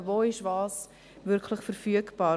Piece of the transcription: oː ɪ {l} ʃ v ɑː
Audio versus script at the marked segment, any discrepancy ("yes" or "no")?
yes